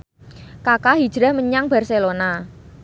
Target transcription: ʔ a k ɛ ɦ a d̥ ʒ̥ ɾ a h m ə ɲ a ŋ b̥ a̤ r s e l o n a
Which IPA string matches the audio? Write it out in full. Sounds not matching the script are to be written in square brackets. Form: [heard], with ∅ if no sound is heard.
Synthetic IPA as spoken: [k] a k [a] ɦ [i] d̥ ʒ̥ ɾ a h m ə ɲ a ŋ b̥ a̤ r s e l o n a